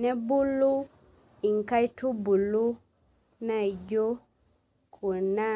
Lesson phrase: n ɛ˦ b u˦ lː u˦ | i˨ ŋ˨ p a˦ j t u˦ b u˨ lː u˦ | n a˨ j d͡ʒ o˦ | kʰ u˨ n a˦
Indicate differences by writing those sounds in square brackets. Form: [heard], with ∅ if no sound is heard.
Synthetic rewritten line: n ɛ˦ b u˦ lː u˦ | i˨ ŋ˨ [k] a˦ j t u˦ b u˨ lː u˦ | n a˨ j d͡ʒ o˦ | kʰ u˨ n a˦